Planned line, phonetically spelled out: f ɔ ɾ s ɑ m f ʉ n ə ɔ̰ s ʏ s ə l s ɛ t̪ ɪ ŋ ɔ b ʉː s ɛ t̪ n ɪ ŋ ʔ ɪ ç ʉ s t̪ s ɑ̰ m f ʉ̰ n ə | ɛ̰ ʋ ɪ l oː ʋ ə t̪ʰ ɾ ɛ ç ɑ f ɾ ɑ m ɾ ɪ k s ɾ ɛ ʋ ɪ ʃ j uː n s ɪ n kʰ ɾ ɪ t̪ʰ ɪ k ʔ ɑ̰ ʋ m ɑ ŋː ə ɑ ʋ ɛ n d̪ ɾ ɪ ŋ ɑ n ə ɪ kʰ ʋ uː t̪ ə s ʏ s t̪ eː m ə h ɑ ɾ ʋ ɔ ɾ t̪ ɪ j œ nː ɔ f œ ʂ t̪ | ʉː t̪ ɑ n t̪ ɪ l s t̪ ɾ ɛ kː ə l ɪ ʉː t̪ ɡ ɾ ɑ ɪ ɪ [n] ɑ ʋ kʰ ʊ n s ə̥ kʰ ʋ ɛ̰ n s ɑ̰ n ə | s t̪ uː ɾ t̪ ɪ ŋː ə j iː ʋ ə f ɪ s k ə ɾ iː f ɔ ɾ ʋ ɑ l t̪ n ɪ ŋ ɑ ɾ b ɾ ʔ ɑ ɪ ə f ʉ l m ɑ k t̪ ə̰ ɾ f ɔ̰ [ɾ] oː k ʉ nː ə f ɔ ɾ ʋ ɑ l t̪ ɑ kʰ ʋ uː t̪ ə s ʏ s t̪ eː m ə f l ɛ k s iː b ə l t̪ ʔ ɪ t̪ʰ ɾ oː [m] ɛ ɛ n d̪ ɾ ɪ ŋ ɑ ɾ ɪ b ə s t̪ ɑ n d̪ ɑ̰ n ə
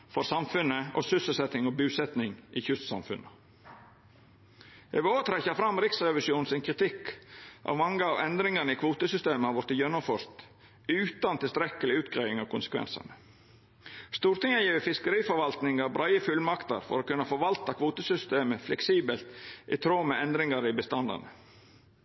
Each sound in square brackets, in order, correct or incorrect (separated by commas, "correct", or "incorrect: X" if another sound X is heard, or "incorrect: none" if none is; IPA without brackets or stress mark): incorrect: ŋ, correct, correct